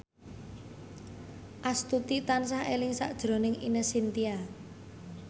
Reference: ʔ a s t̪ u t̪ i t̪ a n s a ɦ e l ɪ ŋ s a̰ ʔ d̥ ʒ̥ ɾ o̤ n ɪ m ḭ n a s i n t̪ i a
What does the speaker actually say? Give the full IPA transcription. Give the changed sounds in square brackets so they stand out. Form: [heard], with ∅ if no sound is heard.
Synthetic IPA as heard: ʔ a s t̪ u t̪ i t̪ a n s a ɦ e l ɪ ŋ s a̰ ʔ d̥ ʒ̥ ɾ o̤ n ɪ [ŋ] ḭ n [ə] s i n t̪ i a

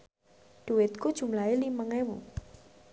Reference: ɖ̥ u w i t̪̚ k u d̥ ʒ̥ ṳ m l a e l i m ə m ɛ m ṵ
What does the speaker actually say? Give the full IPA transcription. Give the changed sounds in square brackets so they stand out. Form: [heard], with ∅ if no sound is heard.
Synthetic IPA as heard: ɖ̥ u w [ɪ] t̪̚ k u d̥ ʒ̥ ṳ m l a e l i m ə [ŋ] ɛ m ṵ

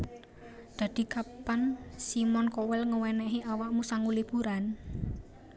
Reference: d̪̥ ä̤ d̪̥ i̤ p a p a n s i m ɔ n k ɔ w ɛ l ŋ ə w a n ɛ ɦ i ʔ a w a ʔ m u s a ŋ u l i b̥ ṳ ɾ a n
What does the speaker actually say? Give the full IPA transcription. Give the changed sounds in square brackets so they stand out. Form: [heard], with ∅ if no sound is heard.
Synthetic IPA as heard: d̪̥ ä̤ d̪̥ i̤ [k] a p a n s i m ɔ n k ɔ w ɛ l ŋ ə w [ɛ] n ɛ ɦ i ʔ a w a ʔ m u s a ŋ u l i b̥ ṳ ɾ a n

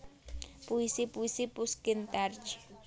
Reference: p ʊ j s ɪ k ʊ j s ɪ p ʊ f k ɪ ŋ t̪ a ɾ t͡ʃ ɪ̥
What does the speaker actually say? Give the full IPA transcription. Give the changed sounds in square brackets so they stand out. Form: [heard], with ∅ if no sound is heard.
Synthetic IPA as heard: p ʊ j s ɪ [p] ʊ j s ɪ p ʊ [s] k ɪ [n] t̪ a ɾ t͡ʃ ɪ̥

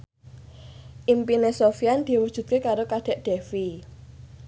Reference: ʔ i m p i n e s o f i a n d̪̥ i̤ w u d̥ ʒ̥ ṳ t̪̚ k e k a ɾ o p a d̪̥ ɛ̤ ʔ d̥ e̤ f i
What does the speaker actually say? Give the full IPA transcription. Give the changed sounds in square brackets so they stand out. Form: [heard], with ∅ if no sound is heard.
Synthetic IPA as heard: ʔ i m p i n e s o f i a n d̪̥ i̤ w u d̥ ʒ̥ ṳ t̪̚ k e k a ɾ o [k] a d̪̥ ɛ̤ ʔ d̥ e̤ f i

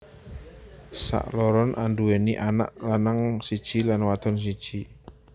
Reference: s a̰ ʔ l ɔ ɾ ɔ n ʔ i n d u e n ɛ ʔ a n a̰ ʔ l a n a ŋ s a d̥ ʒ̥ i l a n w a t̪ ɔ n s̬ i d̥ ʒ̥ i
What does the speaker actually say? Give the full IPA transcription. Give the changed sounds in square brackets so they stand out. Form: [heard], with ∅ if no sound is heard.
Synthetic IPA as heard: s a̰ ʔ l ɔ ɾ ɔ n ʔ [a] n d u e n [i] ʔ a n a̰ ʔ l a n a ŋ s [i] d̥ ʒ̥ i l a n w a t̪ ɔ n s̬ i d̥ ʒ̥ i

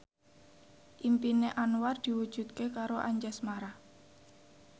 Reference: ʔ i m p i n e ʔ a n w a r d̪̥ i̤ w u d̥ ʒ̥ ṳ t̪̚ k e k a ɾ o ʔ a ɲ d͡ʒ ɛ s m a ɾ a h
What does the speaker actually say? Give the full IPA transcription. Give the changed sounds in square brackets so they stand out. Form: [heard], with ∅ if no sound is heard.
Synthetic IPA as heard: ʔ i m p i n e ʔ a n w a r d̪̥ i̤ w u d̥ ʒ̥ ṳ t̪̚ k e k a ɾ o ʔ a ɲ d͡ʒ ɛ s m a ɾ a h

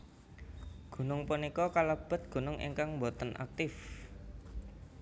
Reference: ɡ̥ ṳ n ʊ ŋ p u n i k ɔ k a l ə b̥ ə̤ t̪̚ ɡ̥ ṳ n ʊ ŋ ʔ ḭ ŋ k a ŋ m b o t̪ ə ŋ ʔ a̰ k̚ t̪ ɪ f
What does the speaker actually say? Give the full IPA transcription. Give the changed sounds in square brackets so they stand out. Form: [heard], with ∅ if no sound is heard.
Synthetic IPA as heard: ɡ̥ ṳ n ʊ ŋ p u n i k ɔ k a l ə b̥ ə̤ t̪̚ ɡ̥ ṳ n ʊ ŋ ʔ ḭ ŋ k a ŋ m b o t̪ ə [n] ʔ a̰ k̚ t̪ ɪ f

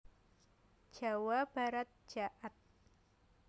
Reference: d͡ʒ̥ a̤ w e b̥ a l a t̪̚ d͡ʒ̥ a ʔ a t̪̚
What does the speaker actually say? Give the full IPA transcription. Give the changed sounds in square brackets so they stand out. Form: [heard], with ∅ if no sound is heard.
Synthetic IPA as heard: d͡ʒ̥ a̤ w [a] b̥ a [ɾ] a t̪̚ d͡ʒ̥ a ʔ a t̪̚

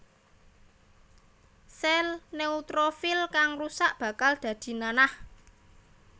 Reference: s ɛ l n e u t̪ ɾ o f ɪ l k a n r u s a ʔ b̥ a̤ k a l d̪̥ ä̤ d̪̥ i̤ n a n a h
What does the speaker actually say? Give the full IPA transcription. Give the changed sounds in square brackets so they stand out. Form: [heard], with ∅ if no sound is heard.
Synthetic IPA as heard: s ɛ l n e u t̪ ɾ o f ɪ l k a [ŋ] r u s a ʔ b̥ a̤ k a l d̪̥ ä̤ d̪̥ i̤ n a n a h

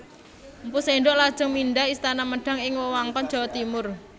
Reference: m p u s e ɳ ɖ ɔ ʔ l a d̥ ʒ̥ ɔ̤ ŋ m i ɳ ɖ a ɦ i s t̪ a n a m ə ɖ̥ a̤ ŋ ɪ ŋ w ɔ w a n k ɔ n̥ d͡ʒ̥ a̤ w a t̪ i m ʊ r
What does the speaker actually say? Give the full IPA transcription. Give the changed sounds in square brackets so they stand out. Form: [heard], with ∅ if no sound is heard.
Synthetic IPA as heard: m p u s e ɳ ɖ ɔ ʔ l a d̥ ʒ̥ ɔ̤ ŋ m i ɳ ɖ a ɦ i s t̪ a n a m ə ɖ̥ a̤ ŋ ɪ ŋ w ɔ w a [ŋ] k ɔ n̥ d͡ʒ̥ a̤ w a t̪ i m ʊ r

